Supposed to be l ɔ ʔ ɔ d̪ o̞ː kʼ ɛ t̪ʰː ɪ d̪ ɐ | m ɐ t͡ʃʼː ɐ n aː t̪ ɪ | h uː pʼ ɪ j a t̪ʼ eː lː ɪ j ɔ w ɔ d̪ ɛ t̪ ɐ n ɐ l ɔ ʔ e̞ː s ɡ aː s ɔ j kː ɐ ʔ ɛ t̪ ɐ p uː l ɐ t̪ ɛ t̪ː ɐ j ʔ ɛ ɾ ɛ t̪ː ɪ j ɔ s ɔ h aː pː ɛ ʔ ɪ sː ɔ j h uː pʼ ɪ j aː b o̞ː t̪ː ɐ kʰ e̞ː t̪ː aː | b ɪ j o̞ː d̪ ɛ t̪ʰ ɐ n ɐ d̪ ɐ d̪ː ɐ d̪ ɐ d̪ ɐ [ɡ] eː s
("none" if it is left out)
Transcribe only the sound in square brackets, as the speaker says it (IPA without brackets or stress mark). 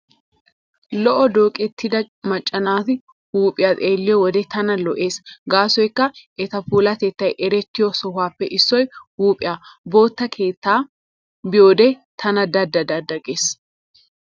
ɡ